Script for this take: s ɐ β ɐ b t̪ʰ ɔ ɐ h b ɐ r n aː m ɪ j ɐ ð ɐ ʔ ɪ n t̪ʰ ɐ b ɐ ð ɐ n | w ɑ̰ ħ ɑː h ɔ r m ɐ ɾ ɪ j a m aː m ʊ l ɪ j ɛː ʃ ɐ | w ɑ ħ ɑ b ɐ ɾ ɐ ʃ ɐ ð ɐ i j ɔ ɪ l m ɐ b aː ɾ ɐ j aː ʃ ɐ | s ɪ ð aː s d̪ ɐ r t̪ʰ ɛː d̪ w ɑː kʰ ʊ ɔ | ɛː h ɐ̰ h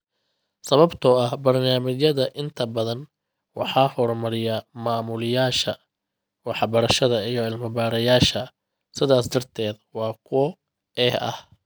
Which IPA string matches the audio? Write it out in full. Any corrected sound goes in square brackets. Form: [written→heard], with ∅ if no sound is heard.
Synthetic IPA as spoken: s ɐ β ɐ b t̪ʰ ɔ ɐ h b ɐ r n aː m ɪ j ɐ ð ɐ ʔ ɪ n t̪ʰ ɐ b ɐ ð ɐ n | w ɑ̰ ħ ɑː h ɔ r m ɐ ɾ ɪ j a m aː m ʊ l ɪ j [ɛː→aː] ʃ ɐ | w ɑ ħ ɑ b ɐ ɾ ɐ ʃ ɐ ð ɐ i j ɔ ɪ l m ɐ b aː ɾ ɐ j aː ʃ ɐ | s ɪ ð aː s d̪ ɐ r t̪ʰ ɛː d̪ w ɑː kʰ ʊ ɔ | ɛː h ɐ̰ h